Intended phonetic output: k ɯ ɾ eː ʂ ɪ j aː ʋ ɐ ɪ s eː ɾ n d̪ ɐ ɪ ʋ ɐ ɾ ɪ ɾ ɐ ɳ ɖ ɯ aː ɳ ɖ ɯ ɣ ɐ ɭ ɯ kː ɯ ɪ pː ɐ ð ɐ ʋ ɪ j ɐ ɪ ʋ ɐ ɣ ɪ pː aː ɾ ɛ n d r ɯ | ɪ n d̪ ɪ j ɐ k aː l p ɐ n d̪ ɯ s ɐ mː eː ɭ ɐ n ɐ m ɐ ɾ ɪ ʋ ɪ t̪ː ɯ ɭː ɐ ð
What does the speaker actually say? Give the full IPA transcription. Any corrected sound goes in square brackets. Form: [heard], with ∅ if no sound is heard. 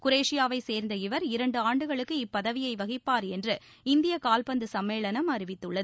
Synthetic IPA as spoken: k [ʊ] ɾ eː ʂ ɪ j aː ʋ ɐ ɪ s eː ɾ n d̪ ɐ ɪ ʋ ɐ ɾ ɪ ɾ ɐ ɳ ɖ ɯ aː ɳ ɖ ɯ ɣ ɐ ɭ ɯ kː ɯ ɪ pː ɐ ð ɐ ʋ ɪ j ɐ ɪ ʋ ɐ ɣ ɪ pː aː ɾ ɛ n d r ɯ | ɪ n d̪ ɪ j ɐ k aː l p ɐ n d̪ ɯ s ɐ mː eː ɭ ɐ n ɐ m ɐ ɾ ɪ ʋ ɪ t̪ː ɯ ɭː ɐ ð